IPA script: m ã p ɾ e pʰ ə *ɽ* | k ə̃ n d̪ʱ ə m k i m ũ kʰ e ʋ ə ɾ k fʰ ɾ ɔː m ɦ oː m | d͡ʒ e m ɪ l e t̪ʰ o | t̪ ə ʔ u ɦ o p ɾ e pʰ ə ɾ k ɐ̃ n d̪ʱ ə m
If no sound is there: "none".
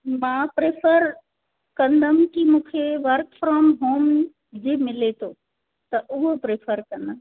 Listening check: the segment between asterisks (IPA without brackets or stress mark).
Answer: ɾ